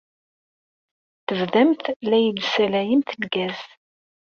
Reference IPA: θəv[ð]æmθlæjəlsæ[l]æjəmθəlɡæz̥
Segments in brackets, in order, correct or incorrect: correct, correct

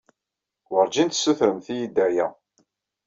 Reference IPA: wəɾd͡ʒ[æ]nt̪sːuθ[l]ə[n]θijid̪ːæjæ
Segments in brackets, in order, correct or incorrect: incorrect, incorrect, incorrect

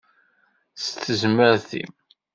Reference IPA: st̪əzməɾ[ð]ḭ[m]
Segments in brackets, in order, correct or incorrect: incorrect, correct

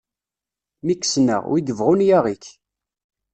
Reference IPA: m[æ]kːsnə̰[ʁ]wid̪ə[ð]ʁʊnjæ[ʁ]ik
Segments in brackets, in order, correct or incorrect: incorrect, correct, incorrect, correct

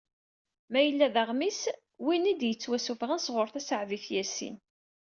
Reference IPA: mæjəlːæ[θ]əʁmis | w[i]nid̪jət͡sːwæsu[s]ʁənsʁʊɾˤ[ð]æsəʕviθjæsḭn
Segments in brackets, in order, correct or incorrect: incorrect, correct, incorrect, incorrect

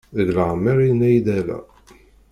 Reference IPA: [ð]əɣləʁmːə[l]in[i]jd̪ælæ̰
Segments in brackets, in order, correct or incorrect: correct, incorrect, incorrect

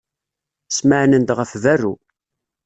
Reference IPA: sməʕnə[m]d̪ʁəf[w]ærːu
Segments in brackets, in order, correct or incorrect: incorrect, incorrect

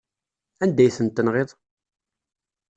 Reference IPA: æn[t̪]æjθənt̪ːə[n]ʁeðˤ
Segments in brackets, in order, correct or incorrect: incorrect, correct

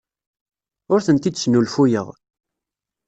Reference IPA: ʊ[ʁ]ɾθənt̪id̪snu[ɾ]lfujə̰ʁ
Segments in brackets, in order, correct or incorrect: incorrect, incorrect

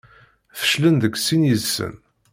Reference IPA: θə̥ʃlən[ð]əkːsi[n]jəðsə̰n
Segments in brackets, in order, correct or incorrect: correct, correct

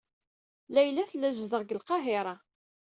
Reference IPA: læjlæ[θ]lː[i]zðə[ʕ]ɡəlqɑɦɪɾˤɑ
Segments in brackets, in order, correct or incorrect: correct, incorrect, incorrect

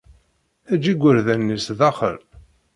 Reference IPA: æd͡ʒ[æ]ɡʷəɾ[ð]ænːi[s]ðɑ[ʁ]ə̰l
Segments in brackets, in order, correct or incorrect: incorrect, correct, correct, incorrect

